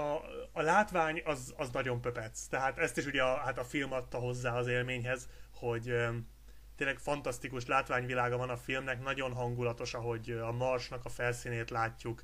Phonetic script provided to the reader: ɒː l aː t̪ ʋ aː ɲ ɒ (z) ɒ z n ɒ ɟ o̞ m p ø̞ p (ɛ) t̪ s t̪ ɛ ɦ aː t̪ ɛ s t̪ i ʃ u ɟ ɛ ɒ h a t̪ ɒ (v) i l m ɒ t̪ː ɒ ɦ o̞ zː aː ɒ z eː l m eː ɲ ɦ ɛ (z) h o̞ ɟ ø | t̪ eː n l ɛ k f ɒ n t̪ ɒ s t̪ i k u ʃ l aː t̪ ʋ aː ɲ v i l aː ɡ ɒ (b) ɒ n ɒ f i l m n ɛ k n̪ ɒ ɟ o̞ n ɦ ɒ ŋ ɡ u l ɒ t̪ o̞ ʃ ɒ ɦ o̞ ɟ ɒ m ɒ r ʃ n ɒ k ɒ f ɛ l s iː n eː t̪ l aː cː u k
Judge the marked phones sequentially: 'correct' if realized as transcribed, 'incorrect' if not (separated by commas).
correct, correct, incorrect, correct, incorrect